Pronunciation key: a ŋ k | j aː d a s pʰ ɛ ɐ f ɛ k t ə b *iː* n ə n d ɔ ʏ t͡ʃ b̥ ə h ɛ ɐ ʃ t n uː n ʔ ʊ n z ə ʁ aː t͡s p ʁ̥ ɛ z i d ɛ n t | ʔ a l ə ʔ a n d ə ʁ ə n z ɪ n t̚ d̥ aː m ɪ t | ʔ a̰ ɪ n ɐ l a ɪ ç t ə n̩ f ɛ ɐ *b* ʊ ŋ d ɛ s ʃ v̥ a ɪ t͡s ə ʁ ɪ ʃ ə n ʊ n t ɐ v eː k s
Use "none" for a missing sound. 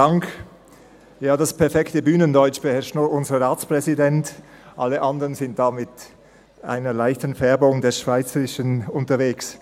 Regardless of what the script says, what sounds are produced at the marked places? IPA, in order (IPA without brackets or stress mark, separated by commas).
yː, b